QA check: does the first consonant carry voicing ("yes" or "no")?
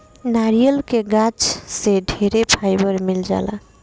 yes